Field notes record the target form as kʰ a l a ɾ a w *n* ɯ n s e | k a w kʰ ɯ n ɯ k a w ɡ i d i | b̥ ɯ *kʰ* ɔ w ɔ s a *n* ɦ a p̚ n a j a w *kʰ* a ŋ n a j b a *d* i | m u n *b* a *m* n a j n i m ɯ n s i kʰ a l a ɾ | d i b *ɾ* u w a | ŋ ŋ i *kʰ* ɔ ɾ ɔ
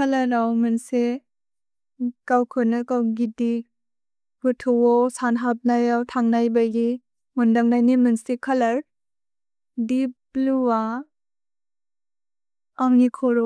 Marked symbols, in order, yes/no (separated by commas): no, no, yes, no, no, no, no, no, yes